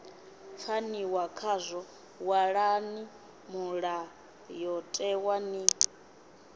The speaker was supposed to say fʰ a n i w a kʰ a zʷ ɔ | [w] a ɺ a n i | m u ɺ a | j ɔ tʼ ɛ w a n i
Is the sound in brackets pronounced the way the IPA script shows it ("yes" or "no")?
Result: yes